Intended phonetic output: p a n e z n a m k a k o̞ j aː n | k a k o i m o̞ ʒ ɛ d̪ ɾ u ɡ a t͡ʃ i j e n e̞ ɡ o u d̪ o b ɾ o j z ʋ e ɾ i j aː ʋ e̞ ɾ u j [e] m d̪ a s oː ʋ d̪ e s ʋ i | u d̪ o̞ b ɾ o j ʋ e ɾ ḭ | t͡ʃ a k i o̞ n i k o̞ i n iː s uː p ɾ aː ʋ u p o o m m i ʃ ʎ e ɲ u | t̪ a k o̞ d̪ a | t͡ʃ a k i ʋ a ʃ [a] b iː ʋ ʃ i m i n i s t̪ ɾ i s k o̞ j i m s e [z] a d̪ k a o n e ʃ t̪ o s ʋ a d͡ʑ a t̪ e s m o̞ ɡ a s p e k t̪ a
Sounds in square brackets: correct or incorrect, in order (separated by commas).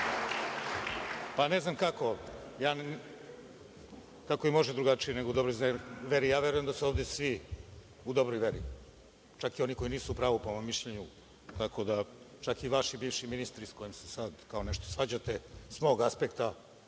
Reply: correct, incorrect, incorrect